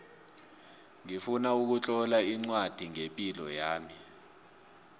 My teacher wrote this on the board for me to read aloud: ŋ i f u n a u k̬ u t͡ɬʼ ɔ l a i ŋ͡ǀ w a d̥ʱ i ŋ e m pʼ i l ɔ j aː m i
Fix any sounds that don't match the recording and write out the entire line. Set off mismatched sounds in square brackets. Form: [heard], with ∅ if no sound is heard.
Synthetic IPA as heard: ŋ i f u n a u k̬ u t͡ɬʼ ɔ l a i ŋ͡ǀ w a d̥ʱ i ŋ e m pʼ i l ɔ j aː m i